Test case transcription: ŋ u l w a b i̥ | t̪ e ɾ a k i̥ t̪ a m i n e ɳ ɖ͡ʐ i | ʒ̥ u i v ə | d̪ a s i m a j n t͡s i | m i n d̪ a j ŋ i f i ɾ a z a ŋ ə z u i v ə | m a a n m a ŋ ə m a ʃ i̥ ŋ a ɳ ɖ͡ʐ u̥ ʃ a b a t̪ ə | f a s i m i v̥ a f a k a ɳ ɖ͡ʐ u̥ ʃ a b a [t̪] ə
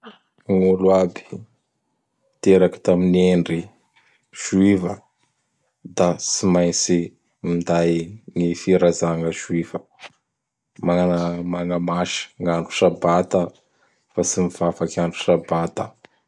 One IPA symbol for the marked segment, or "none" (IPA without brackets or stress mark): t̪